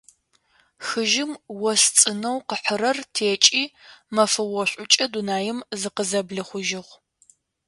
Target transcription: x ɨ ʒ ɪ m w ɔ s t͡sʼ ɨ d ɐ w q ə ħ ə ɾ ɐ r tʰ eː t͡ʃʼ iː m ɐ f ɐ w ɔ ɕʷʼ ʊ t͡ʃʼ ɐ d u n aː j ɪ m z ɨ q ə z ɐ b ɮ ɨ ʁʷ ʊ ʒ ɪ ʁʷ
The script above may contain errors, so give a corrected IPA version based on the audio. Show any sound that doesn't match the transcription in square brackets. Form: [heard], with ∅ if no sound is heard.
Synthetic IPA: x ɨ ʒ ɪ m w ɔ s t͡sʼ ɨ [n] ɐ w q ə ħ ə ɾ ɐ r tʰ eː t͡ʃʼ iː m ɐ f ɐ w ɔ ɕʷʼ ʊ t͡ʃʼ ɐ d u n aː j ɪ m z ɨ q ə z ɐ b ɮ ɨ [χʷ] ʊ ʒ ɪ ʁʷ

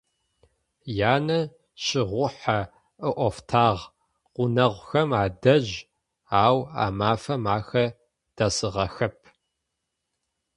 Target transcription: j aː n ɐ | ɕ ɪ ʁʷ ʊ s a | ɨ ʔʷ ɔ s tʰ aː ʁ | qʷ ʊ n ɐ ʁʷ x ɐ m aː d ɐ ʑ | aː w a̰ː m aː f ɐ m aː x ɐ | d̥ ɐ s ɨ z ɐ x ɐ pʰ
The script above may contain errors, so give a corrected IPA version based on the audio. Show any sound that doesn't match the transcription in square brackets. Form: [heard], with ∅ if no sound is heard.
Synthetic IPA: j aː n ɐ | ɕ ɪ ʁʷ ʊ [ħ] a | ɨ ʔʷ ɔ [f] tʰ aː ʁ | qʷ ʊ n ɐ ʁʷ x ɐ m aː d ɐ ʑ | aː w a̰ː m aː f ɐ m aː x ɐ | d̥ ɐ s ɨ [ʁ] ɐ x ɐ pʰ

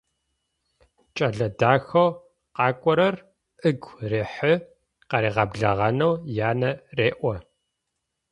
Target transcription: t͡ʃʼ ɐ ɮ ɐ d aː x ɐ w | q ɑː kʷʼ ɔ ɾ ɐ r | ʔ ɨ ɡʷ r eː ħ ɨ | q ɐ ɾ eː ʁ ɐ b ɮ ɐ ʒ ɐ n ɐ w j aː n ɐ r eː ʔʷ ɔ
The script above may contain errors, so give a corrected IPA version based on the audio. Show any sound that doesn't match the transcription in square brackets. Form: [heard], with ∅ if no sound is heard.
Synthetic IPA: t͡ʃʼ ɐ ɮ ɐ d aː x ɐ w | q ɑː kʷʼ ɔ ɾ ɐ r | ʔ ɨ ɡʷ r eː ħ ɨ | q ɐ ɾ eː ʁ ɐ b ɮ ɐ [ʁ] ɐ n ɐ w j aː n ɐ r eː ʔʷ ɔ

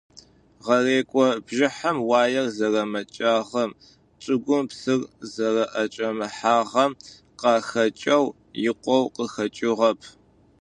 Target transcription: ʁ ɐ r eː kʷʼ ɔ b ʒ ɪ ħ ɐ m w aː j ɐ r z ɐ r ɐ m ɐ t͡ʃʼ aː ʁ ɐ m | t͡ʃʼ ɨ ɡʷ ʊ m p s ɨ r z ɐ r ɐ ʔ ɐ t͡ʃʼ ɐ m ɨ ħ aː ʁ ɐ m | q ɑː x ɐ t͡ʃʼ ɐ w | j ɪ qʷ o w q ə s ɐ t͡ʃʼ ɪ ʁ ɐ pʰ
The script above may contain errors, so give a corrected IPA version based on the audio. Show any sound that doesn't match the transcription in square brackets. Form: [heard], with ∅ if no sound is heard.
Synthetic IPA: ʁ ɐ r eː kʷʼ ɔ b ʒ ɪ ħ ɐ m w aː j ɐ r z ɐ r ɐ m ɐ t͡ʃʼ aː ʁ ɐ m | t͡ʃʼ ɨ ɡʷ ʊ m p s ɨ r z ɐ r ɐ ʔ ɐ t͡ʃʼ ɐ m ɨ ħ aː ʁ ɐ m | q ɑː x ɐ t͡ʃʼ ɐ w | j ɪ qʷ [ɔ] w q ə [x] ɐ t͡ʃʼ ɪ ʁ ɐ pʰ

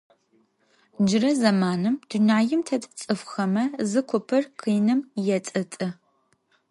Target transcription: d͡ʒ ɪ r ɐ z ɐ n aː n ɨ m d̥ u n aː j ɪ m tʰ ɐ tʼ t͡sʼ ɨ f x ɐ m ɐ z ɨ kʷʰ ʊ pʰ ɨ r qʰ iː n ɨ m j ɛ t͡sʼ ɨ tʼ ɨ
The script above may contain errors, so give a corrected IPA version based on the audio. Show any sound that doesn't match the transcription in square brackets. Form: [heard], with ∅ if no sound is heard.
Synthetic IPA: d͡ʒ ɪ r ɐ z ɐ [m] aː n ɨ m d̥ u n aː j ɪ m tʰ ɐ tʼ t͡sʼ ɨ f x ɐ m ɐ z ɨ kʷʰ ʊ pʰ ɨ r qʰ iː n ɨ m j ɛ t͡sʼ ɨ tʼ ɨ

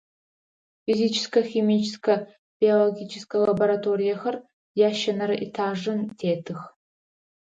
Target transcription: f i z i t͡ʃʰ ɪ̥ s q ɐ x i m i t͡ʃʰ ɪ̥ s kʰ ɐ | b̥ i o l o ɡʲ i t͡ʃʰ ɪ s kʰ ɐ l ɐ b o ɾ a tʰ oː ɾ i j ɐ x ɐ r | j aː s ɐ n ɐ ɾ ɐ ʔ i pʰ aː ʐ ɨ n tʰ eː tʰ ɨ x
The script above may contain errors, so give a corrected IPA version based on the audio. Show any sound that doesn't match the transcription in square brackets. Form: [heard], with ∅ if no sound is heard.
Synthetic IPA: f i z i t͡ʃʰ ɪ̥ s [k] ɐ x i m i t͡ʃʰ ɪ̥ s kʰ ɐ | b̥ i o l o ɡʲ i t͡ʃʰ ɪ s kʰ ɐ l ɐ b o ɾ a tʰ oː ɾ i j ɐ x ɐ r | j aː [ʃ] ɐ n ɐ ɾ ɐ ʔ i [tʰ] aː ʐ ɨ n tʰ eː tʰ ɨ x

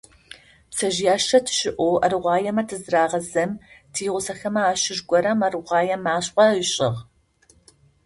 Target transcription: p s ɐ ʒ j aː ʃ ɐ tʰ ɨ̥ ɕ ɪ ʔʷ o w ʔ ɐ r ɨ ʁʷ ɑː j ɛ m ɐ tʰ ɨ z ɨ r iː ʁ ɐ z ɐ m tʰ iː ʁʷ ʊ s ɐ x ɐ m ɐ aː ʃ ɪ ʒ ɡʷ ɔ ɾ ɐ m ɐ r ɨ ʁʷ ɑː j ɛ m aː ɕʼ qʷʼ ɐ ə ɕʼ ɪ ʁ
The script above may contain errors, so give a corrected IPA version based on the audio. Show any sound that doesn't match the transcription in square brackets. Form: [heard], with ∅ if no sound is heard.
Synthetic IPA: p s ɐ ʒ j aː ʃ ɐ tʰ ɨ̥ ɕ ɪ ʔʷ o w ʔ ɐ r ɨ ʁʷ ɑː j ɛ m ɐ tʰ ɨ z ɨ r [aː] ʁ ɐ z ɐ m tʰ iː ʁʷ ʊ s ɐ x ɐ m ɐ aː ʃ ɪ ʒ ɡʷ ɔ ɾ ɐ m ɐ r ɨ ʁʷ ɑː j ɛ m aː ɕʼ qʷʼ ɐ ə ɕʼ ɪ ʁ

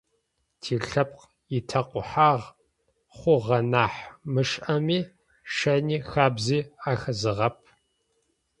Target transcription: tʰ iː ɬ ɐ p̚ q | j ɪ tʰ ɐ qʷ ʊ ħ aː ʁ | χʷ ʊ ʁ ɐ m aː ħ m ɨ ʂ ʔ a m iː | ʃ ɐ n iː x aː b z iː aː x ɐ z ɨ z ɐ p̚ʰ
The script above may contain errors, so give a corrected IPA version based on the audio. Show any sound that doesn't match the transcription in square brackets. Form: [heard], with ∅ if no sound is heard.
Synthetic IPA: tʰ iː ɬ ɐ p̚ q | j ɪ tʰ ɐ qʷ ʊ ħ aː ʁ | χʷ ʊ ʁ ɐ [n] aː ħ m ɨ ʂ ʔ [ɐ] m iː | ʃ ɐ n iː x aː b z iː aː x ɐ z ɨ [ʁ] ɐ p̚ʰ

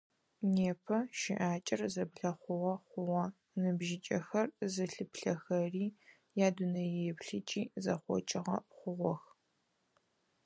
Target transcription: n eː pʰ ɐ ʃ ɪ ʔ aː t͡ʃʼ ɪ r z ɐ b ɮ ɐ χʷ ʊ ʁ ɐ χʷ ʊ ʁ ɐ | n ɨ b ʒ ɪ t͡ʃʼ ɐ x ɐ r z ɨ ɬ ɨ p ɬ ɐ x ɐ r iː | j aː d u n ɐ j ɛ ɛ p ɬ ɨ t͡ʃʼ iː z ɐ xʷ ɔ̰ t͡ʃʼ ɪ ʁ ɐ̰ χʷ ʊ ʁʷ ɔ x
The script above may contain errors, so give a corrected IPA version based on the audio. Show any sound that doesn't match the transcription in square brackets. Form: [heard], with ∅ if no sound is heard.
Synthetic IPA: n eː pʰ ɐ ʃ ɪ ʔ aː t͡ʃʼ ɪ r z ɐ b ɮ ɐ χʷ ʊ ʁ ɐ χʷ ʊ ʁ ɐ | n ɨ b ʒ ɪ t͡ʃʼ ɐ x ɐ r z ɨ ɬ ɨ p ɬ ɐ x ɐ r iː | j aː d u n ɐ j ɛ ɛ p ɬ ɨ t͡ʃʼ iː z ɐ [χʷ] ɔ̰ t͡ʃʼ ɪ ʁ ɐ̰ χʷ ʊ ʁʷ ɔ x

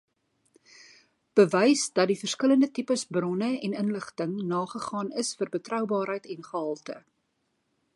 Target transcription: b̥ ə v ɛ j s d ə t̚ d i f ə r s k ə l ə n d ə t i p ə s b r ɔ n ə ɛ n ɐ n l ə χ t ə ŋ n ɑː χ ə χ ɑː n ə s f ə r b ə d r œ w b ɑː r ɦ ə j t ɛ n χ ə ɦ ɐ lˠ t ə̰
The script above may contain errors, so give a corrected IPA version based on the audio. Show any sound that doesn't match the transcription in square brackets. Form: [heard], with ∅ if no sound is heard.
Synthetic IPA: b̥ ə v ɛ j s d [ɐ] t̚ d i f ə r s k ə l ə n d ə t i p ə s b r ɔ n ə ɛ n [ə] n l ə χ t ə ŋ n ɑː χ ə χ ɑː n ə s f ə r b ə [t] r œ w b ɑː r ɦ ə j t ɛ n χ ə ɦ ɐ lˠ t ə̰

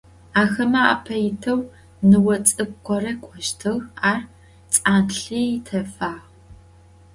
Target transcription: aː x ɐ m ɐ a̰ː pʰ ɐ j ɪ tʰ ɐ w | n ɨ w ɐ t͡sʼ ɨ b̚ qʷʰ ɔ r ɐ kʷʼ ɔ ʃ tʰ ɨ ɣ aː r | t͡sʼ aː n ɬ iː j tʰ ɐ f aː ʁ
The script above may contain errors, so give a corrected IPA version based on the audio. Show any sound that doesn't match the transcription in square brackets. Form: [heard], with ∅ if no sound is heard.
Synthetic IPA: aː x ɐ m ɐ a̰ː pʰ ɐ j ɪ tʰ ɐ w | n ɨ w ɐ t͡sʼ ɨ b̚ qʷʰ ɔ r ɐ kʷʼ ɔ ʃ tʰ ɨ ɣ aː r | t͡sʼ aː n ɬ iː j tʰ ɐ f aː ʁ

